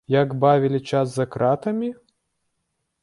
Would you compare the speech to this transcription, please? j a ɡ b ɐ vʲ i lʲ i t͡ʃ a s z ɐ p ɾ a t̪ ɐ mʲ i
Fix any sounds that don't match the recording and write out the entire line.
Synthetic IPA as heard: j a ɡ b a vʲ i lʲ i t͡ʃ a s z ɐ k ɾ a t̪ ɐ mʲ i

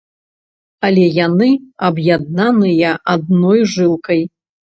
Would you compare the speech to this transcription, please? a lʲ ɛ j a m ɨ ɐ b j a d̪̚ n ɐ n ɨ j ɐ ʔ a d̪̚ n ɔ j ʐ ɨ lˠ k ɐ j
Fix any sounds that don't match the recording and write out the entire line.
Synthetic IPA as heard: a lʲ ɛ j a n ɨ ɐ b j a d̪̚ n a n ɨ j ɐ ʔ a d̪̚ n ɔ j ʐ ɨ lˠ k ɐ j

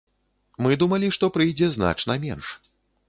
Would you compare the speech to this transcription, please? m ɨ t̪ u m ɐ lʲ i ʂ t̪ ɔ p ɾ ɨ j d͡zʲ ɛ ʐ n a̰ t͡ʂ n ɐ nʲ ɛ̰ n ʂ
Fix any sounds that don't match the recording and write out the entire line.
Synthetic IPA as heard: m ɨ d̪ u m ɐ lʲ i ʂ t̪ ɔ p ɾ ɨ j d͡zʲ ɛ z n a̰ t͡ʂ n ɐ mʲ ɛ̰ n ʂ

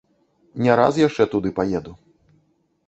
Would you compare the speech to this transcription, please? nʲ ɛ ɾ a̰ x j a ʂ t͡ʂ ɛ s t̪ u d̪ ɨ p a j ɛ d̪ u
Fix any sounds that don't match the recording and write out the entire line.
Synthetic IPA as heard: nʲ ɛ ɾ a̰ s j a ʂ t͡ʂ ɛ t̪ u d̪ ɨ p a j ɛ d̪ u

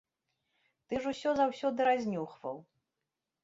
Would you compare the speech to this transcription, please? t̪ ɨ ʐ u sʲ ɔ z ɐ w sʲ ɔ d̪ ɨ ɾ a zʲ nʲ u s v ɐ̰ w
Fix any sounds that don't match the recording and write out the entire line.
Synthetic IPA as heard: t̪ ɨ ʐ u sʲ ɔ z a w sʲ ɔ d̪ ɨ ɾ a zʲ nʲ u x v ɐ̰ w

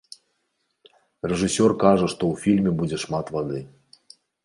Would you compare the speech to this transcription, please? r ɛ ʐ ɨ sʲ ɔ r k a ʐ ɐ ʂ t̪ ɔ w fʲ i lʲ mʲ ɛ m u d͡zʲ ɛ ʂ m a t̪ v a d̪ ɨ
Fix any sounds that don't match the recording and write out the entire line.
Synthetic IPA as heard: r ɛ ʐ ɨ sʲ ɔ r k a ʐ ɐ ʂ t̪ ɔ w fʲ i lʲ mʲ ɛ b u d͡zʲ ɛ ʂ m a t̪ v a d̪ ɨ

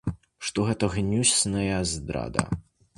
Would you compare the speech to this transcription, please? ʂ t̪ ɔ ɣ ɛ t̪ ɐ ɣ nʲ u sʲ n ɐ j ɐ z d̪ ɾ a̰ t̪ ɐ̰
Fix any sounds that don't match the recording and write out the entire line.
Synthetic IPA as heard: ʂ t̪ ɔ ɣ ɛ t̪ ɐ ɣ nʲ u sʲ n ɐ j ɐ z d̪ ɾ a̰ d̪ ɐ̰

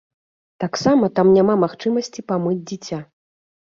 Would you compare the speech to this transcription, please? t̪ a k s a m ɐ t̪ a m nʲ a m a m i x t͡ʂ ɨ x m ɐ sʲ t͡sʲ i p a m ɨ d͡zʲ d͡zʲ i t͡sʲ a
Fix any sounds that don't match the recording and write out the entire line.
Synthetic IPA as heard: t̪ a k s a m ɐ t̪ a m nʲ a m a m a x t͡ʂ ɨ m ɐ sʲ t͡sʲ i p a m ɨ d͡zʲ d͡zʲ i t͡sʲ a

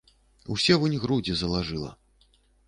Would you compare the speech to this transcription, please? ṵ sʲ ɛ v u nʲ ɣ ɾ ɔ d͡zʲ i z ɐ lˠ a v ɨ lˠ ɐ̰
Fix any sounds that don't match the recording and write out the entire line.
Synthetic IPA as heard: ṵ sʲ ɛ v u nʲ ɣ ɾ u d͡zʲ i z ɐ lˠ a ʐ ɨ lˠ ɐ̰

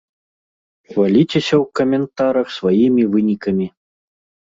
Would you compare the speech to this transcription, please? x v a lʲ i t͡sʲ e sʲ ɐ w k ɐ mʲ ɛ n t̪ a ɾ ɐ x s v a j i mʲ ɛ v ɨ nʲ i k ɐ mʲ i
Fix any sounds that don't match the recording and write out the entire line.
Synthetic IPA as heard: x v a lʲ i t͡sʲ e sʲ ɐ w k ɐ mʲ ɛ n t̪ a ɾ ɐ x s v a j i mʲ i v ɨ nʲ i k ɐ mʲ i

